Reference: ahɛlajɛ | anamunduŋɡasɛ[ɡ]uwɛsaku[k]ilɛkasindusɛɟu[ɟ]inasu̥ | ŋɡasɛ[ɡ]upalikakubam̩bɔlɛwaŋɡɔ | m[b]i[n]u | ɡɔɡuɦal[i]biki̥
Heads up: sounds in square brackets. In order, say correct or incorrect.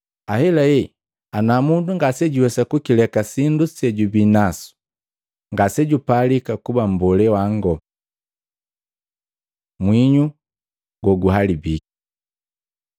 incorrect, correct, incorrect, incorrect, incorrect, incorrect, correct

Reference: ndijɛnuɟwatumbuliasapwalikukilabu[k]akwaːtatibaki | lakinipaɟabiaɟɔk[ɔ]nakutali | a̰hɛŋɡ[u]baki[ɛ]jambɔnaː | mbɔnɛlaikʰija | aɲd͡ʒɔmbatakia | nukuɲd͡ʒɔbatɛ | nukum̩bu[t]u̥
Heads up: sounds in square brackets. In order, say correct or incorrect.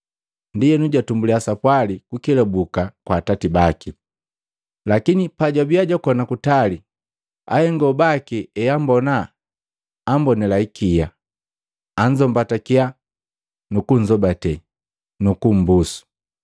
correct, correct, incorrect, correct, incorrect

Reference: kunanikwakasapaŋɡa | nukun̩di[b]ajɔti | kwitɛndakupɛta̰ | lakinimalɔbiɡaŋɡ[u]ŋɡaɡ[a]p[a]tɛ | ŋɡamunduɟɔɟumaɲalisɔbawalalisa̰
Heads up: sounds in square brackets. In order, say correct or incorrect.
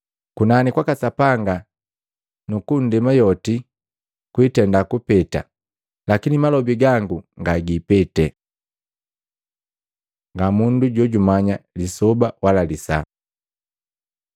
incorrect, correct, incorrect, incorrect

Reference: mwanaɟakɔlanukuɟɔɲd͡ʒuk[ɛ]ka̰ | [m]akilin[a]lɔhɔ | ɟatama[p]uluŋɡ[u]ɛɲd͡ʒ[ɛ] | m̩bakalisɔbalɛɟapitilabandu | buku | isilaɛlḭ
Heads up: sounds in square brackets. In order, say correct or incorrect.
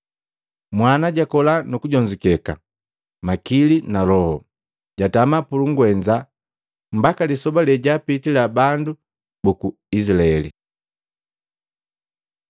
correct, correct, correct, correct, incorrect, incorrect

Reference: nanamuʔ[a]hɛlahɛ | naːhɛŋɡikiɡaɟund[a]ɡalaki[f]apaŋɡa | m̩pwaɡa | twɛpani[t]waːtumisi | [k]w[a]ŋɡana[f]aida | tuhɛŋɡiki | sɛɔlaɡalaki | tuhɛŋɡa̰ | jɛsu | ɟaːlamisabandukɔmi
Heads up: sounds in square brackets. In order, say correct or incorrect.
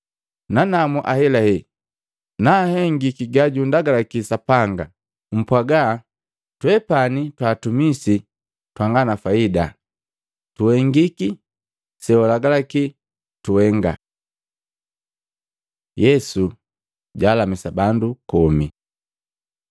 correct, correct, incorrect, correct, incorrect, correct, correct

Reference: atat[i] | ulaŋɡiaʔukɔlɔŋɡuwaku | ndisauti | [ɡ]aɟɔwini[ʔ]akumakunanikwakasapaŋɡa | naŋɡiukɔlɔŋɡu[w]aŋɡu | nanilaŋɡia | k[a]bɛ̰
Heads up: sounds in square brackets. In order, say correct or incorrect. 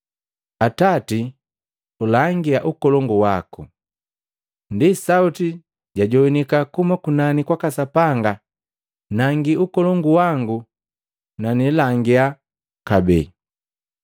correct, incorrect, incorrect, correct, correct

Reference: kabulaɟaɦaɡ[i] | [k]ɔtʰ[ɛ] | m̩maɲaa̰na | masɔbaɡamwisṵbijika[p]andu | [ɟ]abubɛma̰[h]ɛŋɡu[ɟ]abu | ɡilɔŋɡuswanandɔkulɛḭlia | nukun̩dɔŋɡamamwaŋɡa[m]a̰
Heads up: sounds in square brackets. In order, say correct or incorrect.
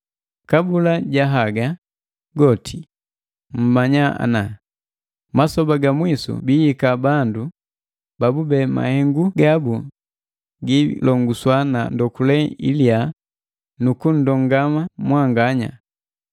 incorrect, incorrect, incorrect, incorrect, incorrect, correct, incorrect, incorrect

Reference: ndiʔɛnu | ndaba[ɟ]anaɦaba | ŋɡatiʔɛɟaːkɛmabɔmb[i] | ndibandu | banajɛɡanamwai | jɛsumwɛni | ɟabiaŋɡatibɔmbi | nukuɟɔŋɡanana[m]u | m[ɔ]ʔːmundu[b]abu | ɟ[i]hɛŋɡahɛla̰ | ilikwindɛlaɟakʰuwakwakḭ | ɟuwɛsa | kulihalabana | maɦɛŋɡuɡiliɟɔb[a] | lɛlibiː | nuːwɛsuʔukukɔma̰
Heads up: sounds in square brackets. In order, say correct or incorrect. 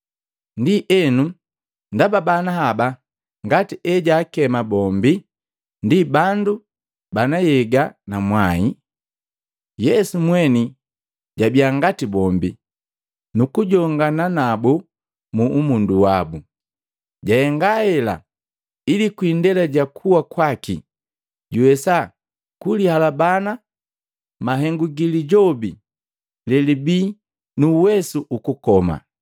incorrect, correct, incorrect, incorrect, incorrect, incorrect, incorrect

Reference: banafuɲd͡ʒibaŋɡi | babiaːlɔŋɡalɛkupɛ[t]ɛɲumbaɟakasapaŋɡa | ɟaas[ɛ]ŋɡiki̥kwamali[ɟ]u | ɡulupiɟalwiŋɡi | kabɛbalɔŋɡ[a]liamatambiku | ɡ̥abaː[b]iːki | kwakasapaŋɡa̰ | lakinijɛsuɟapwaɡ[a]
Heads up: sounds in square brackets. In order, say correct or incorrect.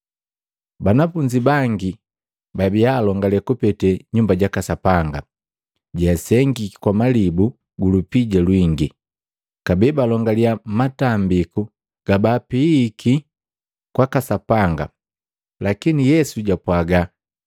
correct, correct, incorrect, correct, incorrect, correct

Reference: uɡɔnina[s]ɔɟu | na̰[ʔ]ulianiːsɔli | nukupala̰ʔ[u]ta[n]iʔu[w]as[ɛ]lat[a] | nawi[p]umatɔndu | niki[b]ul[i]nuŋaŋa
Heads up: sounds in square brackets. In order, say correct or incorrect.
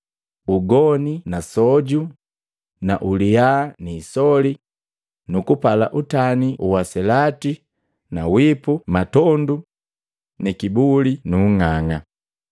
correct, correct, correct, correct, correct, correct, incorrect, correct, correct, correct

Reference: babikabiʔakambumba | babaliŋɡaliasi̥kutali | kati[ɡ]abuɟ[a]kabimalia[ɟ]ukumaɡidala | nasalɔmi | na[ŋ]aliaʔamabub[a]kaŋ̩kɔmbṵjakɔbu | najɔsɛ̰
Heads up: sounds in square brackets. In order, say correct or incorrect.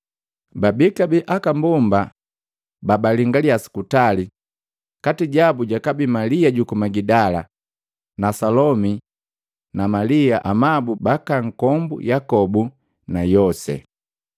incorrect, correct, correct, incorrect, correct

